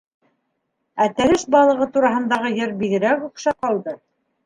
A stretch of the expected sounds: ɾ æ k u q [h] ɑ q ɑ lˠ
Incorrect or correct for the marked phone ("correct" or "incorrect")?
incorrect